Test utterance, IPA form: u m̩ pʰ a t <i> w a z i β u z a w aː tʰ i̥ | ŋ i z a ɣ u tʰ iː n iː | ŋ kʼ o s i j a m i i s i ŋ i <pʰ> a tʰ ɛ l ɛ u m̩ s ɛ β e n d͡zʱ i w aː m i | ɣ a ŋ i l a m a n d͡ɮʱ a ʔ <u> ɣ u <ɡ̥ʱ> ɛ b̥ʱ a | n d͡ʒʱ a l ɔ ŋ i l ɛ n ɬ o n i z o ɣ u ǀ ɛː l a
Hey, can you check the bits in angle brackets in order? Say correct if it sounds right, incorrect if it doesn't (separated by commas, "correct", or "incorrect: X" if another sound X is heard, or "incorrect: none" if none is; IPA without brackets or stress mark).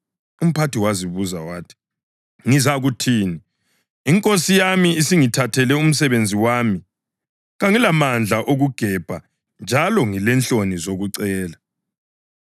correct, incorrect: tʰ, incorrect: o, correct